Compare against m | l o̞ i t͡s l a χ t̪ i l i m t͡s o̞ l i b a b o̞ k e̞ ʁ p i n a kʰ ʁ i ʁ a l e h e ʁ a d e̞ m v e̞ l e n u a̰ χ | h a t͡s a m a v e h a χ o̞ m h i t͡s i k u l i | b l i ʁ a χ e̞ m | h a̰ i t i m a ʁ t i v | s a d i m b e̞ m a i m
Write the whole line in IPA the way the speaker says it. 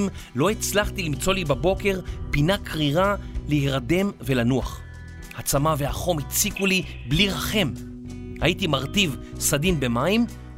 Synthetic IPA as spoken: m | l o̞ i t͡s l a χ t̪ i l i m t͡s o̞ l i b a b o̞ k e̞ ʁ p i n a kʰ ʁ i ʁ a l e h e ʁ a d e̞ m v e̞ l a n u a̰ χ | h a t͡s a m a v e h a χ o̞ m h i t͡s i k u l i | b l i ʁ a χ e̞ m | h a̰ i t i m a ʁ t i v | s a d i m b e̞ m a i m